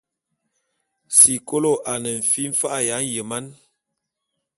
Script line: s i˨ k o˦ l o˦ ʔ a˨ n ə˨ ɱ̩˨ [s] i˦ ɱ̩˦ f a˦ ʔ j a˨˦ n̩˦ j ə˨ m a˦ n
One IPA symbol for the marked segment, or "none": f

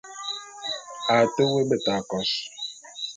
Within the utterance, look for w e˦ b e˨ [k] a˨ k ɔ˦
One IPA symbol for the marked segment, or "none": t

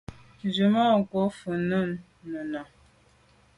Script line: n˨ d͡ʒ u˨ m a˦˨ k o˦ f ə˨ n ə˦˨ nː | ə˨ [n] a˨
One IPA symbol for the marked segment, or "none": n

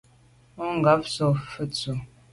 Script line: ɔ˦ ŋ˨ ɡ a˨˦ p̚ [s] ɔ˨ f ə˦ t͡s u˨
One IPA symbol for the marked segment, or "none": s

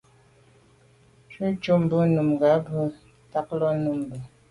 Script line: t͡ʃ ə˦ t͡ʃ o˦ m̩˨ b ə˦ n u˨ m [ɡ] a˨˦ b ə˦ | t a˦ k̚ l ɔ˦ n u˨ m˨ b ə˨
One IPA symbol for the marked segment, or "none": ɡ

